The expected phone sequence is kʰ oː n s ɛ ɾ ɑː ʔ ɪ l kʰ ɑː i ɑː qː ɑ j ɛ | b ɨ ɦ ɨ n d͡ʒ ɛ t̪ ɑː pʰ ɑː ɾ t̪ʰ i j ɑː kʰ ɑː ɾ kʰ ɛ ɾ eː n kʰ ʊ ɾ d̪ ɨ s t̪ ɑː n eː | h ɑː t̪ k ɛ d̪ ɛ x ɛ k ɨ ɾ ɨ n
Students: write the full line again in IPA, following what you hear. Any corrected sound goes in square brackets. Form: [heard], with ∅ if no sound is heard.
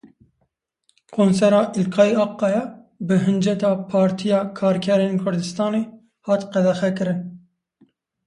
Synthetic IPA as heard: kʰ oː n s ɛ ɾ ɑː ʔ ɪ l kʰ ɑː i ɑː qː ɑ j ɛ | b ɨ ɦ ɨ n d͡ʒ ɛ t̪ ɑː pʰ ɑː ɾ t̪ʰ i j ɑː kʰ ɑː ɾ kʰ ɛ ɾ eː n kʰ ʊ ɾ d̪ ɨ s t̪ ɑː n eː | h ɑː t̪ [q] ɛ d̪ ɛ x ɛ k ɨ ɾ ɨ n